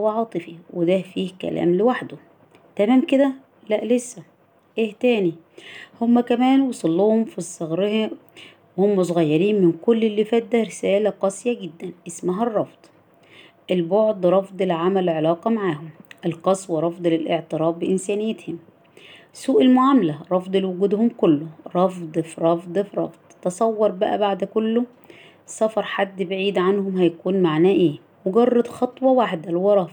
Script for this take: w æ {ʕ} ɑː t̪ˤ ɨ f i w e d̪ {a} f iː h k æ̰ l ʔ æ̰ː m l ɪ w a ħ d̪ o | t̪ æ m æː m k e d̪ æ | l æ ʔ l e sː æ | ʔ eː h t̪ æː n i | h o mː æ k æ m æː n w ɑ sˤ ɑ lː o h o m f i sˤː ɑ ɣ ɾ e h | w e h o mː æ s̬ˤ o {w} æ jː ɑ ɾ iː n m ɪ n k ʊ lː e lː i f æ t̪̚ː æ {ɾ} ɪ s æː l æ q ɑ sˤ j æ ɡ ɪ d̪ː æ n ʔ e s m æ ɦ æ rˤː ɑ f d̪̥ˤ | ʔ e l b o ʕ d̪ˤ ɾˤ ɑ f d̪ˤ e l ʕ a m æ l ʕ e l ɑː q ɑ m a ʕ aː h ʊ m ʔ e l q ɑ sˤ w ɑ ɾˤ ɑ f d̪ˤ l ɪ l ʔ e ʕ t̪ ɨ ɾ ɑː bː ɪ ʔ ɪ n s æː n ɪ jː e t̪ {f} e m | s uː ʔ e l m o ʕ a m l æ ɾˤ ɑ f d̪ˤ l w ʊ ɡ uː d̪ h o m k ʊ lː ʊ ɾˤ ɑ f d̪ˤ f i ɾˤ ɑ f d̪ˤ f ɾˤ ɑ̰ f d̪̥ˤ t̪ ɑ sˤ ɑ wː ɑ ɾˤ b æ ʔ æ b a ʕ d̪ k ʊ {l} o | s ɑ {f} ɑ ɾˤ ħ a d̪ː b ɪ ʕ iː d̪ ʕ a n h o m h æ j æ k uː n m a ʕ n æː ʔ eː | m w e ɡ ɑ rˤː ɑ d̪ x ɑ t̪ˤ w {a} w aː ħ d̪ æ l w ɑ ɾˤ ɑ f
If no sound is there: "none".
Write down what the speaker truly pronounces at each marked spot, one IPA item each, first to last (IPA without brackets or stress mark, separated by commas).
ʕ, æ, ɣ, ɾ, h, lː, f, ɑ